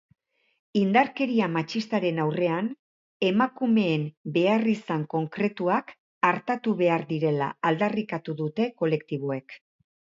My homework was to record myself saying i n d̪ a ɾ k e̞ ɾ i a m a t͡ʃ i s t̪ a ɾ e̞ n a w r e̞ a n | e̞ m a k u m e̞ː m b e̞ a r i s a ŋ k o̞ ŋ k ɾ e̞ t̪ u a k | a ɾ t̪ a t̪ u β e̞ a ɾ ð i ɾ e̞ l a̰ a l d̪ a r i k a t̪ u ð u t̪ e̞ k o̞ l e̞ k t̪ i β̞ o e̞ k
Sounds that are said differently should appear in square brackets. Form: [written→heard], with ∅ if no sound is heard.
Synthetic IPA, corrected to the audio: i n d̪ a ɾ k e̞ ɾ i a m a t͡ʃ i s t̪ a ɾ e̞ n a w r e̞ a n | e̞ m a k u m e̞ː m b e̞ a r i s a ŋ k o̞ ŋ k ɾ e̞ t̪ u a k | a ɾ t̪ a t̪ u β e̞ a ɾ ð i ɾ e̞ l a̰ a l d̪ a r i k a t̪ u ð u t̪ e̞ k o̞ l e̞ k t̪ i β̞ o e̞ k

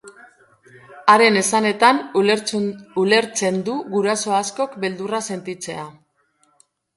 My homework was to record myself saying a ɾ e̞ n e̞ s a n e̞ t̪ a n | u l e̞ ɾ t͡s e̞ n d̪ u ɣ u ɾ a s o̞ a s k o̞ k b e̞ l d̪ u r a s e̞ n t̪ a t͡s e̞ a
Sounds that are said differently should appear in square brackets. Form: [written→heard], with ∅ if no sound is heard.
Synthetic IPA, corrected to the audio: a ɾ e̞ n e̞ s a n e̞ t̪ a n | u l e̞ ɾ t͡s e̞ n d̪ u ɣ u ɾ a s o̞ a s k o̞ k b e̞ l d̪ u r a s e̞ n t̪ [a→i] t͡s e̞ a

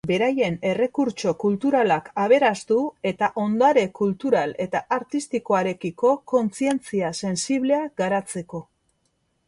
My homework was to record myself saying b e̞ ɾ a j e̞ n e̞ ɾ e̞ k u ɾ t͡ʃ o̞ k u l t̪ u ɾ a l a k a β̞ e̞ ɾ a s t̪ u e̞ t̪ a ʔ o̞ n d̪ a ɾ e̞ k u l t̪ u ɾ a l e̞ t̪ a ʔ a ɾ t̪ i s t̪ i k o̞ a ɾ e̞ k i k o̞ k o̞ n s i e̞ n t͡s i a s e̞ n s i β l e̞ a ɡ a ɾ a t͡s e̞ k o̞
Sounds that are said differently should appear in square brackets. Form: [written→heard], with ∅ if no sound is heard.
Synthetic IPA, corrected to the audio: b e̞ ɾ a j e̞ n e̞ [ɾ→r] e̞ k u ɾ t͡ʃ o̞ k u l t̪ u ɾ a l a k a β̞ e̞ ɾ a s t̪ u e̞ t̪ a ʔ o̞ n d̪ a ɾ e̞ k u l t̪ u ɾ a l e̞ t̪ a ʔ a ɾ t̪ i s t̪ i k o̞ a ɾ e̞ k i k o̞ k o̞ n [s→t͡s] i e̞ n t͡s i a s e̞ n s i β l e̞ a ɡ a ɾ a t͡s e̞ k o̞

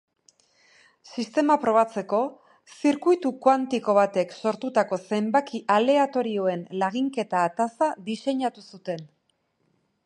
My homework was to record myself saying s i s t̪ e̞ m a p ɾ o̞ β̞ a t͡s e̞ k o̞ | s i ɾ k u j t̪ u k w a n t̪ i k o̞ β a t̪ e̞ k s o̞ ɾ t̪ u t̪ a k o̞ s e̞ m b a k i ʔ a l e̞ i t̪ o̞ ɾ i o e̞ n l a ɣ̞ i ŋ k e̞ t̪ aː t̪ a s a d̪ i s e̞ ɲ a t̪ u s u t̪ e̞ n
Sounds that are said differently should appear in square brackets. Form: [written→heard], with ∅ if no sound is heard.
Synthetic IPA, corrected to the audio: s i s t̪ e̞ m a p ɾ o̞ β̞ a t͡s e̞ k o̞ | s i ɾ k u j t̪ u k w a n t̪ i k o̞ β a t̪ e̞ k s o̞ ɾ t̪ u t̪ a k o̞ s e̞ m b a k i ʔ a l e̞ [i→a] t̪ o̞ ɾ i o e̞ n l a ɣ̞ i ŋ k e̞ t̪ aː t̪ a s a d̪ i s e̞ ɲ a t̪ u s u t̪ e̞ n

